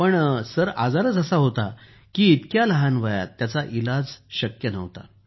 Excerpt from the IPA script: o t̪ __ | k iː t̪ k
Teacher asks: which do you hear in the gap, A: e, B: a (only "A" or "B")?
B